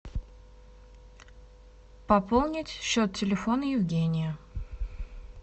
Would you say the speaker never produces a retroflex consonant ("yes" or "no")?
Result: yes